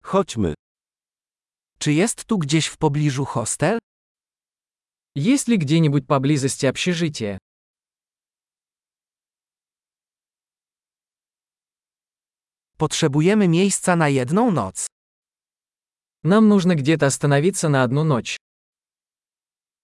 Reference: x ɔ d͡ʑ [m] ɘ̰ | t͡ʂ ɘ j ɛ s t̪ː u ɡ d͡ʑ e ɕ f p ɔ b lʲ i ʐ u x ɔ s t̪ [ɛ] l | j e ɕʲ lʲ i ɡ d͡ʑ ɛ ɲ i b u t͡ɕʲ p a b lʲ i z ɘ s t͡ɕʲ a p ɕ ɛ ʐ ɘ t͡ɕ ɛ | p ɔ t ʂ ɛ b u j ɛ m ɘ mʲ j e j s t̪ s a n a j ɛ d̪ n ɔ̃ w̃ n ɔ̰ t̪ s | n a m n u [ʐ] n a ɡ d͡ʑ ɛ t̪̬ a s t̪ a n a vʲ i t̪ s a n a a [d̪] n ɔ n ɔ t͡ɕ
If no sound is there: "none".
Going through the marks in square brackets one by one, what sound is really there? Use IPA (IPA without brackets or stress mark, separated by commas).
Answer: m, ɛ, ʐ, d̪